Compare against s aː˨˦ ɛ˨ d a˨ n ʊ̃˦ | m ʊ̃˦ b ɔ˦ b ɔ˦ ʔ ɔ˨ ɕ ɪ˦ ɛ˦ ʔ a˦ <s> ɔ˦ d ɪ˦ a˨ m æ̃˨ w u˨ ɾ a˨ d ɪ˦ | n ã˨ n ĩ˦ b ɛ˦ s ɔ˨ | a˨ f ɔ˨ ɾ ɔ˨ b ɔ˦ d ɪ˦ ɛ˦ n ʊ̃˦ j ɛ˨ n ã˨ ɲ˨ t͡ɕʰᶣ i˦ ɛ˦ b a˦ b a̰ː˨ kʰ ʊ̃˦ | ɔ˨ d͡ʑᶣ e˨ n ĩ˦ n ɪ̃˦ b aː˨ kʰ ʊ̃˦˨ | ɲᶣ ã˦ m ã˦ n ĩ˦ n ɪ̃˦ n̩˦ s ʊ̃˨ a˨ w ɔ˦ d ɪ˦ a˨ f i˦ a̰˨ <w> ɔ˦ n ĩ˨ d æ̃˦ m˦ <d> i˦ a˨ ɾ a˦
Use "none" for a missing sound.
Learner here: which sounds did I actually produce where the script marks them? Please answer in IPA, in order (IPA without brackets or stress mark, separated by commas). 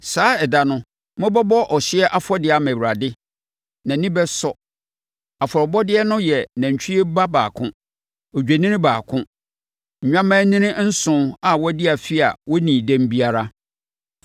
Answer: f, w, b